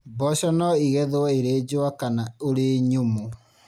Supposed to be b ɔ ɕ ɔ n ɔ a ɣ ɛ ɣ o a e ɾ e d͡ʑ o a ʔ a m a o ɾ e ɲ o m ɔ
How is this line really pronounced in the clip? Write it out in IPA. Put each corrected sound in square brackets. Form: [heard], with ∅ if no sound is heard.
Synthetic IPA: b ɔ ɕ ɔ n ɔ [i] ɣ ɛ [ð] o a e ɾ e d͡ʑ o a [k] a [n] a o ɾ e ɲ o m [o]